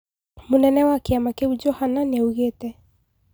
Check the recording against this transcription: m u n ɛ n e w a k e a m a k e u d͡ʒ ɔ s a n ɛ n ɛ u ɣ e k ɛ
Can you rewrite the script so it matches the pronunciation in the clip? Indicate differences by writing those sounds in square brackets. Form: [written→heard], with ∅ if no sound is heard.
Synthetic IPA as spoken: m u n ɛ n [e→ɛ] w a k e a m a k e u d͡ʒ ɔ [s→h] a n [ɛ→a] n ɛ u ɣ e [k→t] ɛ